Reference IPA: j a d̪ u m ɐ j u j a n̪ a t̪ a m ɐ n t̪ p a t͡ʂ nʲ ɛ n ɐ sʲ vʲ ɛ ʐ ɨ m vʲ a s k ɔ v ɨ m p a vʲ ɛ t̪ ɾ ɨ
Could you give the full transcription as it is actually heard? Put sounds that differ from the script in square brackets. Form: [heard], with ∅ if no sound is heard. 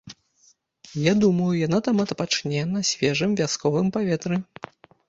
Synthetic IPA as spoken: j a d̪ u m ɐ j u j a n̪ a t̪ a m ɐ [∅] t̪ p a t͡ʂ nʲ ɛ n ɐ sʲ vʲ ɛ ʐ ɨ m vʲ a s k ɔ v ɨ m p a vʲ ɛ t̪ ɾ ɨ